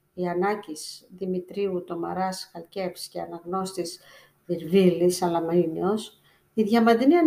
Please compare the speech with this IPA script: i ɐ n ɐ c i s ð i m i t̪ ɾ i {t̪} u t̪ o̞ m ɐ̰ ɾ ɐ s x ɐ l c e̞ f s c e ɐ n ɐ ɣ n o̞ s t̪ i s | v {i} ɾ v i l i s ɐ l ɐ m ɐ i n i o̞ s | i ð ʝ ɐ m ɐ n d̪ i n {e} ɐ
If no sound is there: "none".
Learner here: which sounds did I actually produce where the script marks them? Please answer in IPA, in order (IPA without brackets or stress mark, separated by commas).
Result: none, i, i